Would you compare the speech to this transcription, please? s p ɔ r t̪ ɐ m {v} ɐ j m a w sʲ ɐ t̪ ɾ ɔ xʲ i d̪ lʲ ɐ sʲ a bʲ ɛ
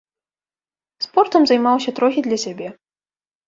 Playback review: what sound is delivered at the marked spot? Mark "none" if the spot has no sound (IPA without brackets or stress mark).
z